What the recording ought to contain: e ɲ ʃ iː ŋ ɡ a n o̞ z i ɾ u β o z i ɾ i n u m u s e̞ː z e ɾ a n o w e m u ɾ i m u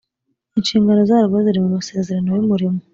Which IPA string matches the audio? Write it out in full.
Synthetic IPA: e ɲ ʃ iː ŋ ɡ a n o̞ z a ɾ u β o z i ɾ i m u m u s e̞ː z e ɾ a n o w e m u ɾ i m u